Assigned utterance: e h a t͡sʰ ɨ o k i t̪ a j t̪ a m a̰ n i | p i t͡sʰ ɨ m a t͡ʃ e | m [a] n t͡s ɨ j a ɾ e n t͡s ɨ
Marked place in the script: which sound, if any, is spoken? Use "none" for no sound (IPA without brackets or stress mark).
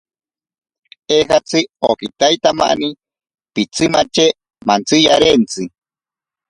a